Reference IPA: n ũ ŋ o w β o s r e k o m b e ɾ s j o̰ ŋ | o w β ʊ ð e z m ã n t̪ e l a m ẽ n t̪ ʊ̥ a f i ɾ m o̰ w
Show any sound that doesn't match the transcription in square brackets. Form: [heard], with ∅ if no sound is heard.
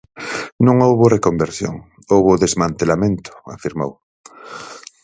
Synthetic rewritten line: n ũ ŋ o w β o [∅] r e k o m b e ɾ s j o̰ ŋ | o w β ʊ ð e z m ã n t̪ e l a m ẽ n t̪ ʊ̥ a f i ɾ m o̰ w